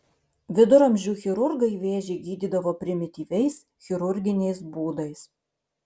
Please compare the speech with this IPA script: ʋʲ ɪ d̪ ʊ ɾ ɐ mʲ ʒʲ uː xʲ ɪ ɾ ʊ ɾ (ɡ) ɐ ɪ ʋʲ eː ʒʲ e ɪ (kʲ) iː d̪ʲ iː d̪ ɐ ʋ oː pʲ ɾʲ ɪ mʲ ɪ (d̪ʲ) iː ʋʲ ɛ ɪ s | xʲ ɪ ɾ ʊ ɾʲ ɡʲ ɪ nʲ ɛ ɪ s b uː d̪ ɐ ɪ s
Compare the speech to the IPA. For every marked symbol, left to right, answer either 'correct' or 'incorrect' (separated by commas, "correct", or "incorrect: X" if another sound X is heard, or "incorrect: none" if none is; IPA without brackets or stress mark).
correct, incorrect: ɡʲ, incorrect: t̪ʲ